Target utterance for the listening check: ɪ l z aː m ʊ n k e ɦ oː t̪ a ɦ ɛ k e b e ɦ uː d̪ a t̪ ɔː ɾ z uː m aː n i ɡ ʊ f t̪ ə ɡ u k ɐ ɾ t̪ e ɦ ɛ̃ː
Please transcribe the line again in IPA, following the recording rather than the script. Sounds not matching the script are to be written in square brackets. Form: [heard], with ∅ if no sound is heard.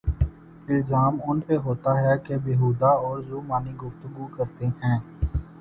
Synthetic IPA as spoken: ɪ l z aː m ʊ n [p] e ɦ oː t̪ a ɦ ɛ k e b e ɦ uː d̪ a [∅] ɔː ɾ z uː m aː n i ɡ ʊ f t̪ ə ɡ u k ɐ ɾ t̪ e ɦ ɛ̃ː